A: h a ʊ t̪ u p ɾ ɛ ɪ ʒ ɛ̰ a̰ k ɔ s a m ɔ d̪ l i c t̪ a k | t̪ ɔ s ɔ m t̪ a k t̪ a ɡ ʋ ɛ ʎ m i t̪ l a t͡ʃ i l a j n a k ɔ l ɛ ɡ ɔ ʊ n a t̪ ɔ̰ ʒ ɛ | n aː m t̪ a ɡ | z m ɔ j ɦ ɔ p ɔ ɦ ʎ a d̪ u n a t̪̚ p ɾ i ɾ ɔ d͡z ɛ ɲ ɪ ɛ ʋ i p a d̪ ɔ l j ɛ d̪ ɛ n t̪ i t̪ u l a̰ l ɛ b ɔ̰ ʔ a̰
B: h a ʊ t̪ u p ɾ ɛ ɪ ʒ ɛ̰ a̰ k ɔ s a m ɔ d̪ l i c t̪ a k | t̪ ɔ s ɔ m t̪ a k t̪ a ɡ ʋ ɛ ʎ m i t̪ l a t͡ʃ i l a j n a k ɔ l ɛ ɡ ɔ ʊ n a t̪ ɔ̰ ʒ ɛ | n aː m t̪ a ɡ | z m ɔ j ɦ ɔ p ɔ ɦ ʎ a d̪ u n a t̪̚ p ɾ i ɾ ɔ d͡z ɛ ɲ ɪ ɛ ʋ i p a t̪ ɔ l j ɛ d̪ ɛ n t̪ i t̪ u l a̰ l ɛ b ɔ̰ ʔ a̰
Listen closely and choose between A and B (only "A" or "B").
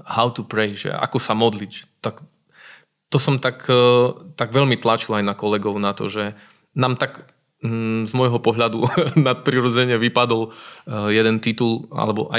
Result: A